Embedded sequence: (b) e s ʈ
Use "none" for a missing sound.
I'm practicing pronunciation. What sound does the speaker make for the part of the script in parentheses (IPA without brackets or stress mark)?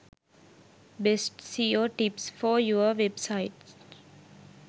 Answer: b